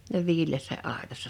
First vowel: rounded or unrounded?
unrounded